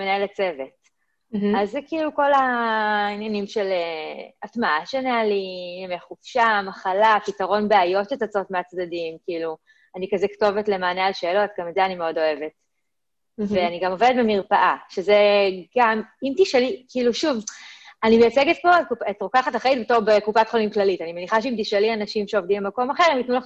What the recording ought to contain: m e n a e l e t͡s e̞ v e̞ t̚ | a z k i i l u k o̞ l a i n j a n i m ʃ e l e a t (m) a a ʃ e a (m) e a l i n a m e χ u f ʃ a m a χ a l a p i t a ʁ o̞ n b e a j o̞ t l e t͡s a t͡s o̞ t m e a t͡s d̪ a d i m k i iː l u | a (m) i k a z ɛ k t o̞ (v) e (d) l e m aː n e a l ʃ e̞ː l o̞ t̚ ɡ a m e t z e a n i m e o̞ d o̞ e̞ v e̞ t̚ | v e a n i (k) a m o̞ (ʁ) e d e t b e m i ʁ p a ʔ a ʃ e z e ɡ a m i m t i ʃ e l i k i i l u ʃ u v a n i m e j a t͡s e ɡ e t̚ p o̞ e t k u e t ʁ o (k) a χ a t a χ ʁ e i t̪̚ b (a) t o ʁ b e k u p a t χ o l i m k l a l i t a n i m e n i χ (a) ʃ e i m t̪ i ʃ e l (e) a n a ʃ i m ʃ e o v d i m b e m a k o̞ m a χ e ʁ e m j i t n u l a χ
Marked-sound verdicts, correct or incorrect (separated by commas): correct, incorrect, incorrect, correct, incorrect, incorrect, incorrect, correct, incorrect, correct, incorrect